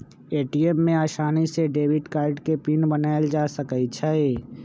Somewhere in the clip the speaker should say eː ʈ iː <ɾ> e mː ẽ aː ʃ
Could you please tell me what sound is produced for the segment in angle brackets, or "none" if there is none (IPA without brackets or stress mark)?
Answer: none